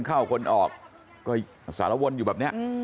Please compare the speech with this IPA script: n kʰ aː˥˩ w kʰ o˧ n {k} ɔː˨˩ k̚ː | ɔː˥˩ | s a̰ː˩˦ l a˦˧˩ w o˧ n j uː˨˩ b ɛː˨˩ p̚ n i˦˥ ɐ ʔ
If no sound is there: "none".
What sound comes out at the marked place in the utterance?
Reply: ʔ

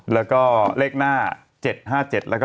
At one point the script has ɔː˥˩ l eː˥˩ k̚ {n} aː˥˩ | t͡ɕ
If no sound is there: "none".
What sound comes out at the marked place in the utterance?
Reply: n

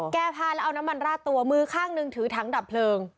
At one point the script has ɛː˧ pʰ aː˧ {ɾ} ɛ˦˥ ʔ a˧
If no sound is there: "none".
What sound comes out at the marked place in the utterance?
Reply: l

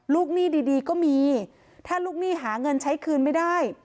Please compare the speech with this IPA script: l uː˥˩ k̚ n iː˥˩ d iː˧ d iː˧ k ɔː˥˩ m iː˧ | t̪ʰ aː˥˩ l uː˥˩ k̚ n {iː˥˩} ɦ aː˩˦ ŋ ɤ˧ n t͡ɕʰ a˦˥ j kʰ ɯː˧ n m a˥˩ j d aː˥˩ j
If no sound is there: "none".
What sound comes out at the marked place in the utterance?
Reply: iː˥˩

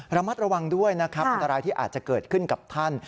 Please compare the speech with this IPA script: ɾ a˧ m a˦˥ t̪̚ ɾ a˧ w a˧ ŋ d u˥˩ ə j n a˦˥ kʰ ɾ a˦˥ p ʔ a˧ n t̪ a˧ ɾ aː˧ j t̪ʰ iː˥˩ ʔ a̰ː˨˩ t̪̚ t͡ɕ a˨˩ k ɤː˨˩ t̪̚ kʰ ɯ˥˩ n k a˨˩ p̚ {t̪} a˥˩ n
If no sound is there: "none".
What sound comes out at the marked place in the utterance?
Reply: t̪ʰ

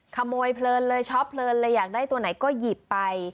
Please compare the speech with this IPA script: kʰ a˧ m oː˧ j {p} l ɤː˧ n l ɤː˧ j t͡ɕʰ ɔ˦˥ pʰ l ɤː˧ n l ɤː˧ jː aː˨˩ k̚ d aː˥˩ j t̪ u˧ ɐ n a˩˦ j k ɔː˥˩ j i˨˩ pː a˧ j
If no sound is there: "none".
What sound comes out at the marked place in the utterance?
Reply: pʰ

